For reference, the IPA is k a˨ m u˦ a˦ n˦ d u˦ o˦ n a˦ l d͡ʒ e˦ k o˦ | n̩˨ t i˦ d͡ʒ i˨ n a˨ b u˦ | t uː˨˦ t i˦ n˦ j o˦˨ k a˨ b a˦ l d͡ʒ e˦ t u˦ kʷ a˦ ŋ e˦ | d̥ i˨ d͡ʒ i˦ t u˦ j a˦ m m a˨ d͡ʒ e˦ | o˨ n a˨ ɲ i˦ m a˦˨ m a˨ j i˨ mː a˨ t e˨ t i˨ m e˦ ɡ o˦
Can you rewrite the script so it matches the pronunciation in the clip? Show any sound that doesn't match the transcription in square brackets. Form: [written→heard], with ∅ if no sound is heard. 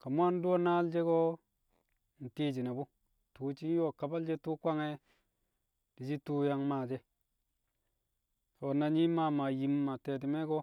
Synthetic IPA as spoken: k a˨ m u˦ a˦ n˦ d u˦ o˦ n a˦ l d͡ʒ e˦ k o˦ | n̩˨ t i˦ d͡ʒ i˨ n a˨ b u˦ | t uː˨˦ [t→t͡ʃ] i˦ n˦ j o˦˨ k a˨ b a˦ l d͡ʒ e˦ t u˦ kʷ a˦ ŋ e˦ | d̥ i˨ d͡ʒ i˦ t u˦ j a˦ [m→ŋ] m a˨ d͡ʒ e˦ | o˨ n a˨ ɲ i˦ m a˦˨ m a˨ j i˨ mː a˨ t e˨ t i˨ m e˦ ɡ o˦